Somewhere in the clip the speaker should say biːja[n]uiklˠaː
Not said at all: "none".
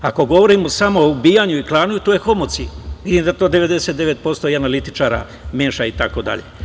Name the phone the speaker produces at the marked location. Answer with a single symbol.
ɲ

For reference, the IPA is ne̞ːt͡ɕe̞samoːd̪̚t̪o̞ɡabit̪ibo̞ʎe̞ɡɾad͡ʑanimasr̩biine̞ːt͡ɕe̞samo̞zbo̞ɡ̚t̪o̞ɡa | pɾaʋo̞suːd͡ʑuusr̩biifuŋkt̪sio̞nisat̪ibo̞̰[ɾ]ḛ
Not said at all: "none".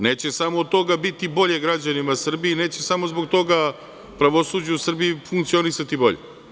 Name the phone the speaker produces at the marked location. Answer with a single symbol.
ʎ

